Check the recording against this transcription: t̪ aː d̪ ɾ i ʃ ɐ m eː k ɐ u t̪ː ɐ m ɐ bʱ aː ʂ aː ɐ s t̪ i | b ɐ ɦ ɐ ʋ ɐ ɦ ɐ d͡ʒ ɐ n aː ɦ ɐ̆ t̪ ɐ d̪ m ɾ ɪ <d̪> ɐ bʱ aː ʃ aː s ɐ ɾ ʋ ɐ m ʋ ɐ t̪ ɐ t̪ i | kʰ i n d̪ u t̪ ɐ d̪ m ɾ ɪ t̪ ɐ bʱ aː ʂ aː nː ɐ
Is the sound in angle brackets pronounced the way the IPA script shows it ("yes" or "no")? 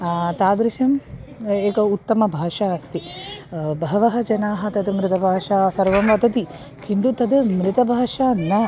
no